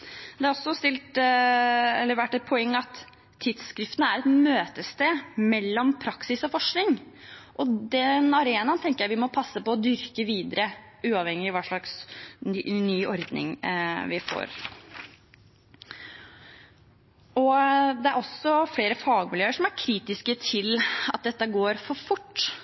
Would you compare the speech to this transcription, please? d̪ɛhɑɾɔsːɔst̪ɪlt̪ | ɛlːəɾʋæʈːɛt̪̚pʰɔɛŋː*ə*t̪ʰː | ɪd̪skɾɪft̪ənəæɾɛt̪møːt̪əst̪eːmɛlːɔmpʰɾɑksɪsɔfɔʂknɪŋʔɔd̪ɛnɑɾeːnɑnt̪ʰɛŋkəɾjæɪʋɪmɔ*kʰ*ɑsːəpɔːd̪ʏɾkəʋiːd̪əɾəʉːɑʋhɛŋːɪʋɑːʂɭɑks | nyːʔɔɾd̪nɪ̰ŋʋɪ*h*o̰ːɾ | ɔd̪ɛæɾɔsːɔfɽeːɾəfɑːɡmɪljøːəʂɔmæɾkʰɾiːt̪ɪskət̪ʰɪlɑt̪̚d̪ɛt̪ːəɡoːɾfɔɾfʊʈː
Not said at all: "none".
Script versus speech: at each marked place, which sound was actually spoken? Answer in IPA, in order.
ɑ, pʰ, f

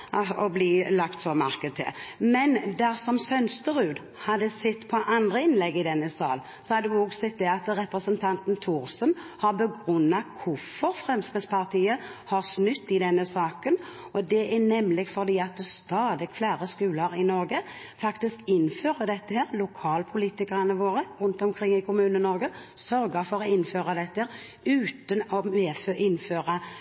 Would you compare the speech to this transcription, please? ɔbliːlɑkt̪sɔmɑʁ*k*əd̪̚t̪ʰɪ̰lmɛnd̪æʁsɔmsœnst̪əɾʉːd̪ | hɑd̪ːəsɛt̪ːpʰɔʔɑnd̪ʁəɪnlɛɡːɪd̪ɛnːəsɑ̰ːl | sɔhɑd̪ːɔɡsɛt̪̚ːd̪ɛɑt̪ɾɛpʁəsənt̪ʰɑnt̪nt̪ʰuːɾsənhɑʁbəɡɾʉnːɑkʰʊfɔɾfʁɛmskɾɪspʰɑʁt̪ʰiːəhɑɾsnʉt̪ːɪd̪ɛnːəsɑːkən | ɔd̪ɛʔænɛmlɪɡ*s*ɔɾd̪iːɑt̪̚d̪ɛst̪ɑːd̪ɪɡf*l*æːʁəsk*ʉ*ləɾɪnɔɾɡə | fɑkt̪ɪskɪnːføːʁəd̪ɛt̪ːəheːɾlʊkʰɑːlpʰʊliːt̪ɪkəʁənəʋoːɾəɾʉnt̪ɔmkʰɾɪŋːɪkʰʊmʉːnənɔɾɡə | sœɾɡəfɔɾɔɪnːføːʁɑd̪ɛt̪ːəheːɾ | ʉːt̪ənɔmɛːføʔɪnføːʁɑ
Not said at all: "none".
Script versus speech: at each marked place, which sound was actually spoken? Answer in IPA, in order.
k, f, l, ʉː

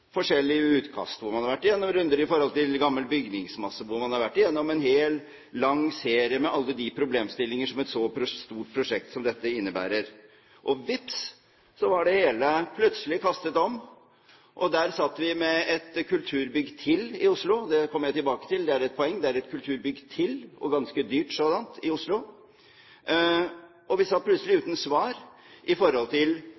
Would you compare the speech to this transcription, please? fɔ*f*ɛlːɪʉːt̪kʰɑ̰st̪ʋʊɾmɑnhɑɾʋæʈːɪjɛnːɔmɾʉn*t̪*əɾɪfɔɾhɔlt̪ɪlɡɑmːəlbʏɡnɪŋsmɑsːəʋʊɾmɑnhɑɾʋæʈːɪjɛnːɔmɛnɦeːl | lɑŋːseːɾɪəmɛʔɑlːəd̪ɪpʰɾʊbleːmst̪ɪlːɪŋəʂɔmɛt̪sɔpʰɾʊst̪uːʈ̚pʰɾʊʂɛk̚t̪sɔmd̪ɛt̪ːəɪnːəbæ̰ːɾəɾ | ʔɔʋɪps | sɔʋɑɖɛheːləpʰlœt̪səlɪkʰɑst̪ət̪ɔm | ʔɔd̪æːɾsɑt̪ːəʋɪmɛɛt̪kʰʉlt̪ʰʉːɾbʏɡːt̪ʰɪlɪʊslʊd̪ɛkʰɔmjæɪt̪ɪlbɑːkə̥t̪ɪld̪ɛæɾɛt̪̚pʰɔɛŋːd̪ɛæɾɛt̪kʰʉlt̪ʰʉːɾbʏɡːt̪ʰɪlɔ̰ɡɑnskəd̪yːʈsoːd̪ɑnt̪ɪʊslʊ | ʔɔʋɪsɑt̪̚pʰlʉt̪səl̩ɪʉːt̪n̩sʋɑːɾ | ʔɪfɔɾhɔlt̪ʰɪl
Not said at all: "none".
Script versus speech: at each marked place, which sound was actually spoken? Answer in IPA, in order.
ʂ, d̪

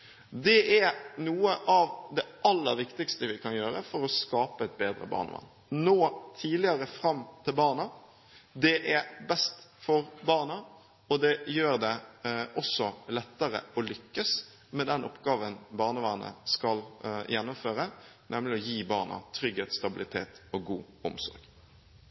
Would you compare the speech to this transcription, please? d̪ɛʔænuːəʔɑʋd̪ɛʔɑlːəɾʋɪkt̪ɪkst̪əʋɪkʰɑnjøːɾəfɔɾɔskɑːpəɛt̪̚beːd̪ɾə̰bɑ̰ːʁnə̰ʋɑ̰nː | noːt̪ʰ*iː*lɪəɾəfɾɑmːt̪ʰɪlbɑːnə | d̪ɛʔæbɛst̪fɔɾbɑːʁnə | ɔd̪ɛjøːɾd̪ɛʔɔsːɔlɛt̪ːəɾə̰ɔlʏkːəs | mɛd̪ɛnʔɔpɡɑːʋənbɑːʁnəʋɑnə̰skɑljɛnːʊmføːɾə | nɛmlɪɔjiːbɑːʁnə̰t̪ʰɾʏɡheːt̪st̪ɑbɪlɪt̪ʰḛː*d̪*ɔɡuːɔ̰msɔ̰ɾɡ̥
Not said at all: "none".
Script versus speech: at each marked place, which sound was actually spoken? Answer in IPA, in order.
iː, t̪

